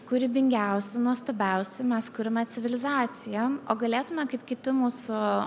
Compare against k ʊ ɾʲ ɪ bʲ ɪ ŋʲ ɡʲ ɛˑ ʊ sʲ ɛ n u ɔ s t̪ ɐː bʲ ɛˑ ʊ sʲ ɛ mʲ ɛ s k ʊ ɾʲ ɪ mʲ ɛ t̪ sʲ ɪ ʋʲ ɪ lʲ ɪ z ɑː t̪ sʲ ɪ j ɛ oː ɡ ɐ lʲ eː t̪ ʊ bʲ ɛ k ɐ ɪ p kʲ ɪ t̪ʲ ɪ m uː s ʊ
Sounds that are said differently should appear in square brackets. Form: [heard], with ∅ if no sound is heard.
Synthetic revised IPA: k ʊ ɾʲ ɪ bʲ ɪ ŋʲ ɡʲ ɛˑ ʊ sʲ ɛ n u ɔ s t̪ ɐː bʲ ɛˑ ʊ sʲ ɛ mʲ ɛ s k ʊ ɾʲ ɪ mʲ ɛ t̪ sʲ ɪ ʋʲ ɪ lʲ ɪ z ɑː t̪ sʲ ɪ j ɛ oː ɡ ɐ lʲ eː t̪ ʊ [mʲ] ɛ k ɐ ɪ p kʲ ɪ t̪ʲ ɪ m uː s ʊ